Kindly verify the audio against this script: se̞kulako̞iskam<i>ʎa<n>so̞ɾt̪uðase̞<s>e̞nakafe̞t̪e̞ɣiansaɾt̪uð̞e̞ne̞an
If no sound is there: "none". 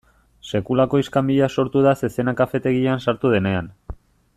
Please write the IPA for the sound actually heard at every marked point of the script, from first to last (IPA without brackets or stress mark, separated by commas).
i, none, s